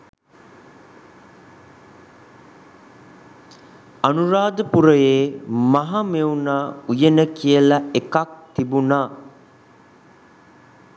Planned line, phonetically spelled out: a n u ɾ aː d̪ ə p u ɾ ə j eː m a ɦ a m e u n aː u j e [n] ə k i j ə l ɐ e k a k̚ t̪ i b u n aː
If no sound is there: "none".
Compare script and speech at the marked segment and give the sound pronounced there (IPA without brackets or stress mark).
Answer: n